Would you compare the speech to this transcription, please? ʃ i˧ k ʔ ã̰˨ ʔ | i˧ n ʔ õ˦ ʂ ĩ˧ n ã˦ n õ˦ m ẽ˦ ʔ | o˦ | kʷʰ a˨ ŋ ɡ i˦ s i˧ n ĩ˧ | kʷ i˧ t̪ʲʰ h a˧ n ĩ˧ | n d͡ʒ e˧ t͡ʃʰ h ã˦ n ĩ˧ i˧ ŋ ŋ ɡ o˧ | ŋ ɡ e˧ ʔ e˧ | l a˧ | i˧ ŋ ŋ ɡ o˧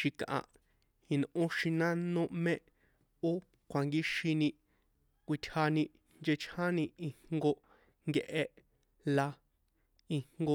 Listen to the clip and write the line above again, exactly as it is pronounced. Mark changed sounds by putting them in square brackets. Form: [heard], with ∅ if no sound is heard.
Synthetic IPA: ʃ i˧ k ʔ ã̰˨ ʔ | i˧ n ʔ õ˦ [ʃ] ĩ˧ n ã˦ n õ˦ m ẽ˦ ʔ | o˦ | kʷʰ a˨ ŋ ɡ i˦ [ʃ] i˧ n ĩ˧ | kʷ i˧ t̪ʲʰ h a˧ n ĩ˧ | n d͡ʒ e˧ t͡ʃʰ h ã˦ n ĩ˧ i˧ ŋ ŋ ɡ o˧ | ŋ ɡ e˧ ʔ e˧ | l a˧ | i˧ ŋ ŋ ɡ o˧